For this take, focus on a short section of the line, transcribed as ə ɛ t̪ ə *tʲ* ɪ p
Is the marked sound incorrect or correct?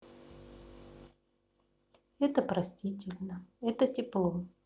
correct